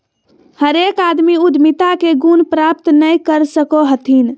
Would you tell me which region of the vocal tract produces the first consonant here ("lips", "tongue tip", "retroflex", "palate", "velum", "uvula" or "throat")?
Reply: throat